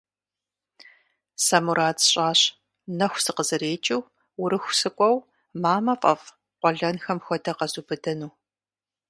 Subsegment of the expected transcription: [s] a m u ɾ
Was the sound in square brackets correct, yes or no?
yes